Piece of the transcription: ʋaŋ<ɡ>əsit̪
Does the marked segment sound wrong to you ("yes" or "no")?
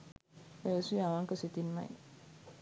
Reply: yes